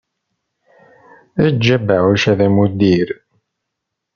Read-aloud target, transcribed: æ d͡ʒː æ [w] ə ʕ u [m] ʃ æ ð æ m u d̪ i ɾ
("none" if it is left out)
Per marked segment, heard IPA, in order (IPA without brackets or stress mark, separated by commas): b, none